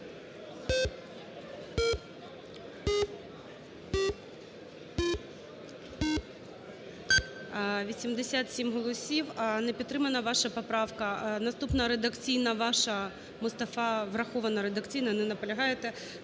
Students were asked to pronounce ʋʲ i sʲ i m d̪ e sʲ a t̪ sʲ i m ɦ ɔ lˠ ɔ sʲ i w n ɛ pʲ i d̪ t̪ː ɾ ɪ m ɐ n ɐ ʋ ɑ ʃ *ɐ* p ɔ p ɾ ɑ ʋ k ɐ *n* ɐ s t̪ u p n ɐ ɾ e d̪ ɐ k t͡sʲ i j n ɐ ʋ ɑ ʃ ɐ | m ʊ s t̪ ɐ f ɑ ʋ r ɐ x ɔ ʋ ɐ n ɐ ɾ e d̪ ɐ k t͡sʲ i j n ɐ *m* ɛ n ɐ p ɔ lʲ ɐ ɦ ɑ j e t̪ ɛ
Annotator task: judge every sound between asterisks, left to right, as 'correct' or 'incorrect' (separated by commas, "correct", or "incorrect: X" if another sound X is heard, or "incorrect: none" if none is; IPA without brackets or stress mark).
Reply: correct, correct, incorrect: n